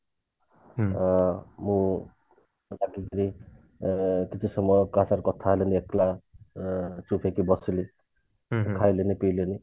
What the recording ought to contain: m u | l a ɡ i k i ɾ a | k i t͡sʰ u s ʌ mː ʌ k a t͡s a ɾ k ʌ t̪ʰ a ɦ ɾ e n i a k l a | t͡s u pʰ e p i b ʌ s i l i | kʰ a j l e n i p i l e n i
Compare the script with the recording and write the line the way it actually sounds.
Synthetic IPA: m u | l a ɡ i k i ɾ i | k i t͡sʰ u s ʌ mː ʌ k a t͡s a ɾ k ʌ t̪ʰ a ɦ l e n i e k l a | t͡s u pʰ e k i b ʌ s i l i | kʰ a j l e n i p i l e n i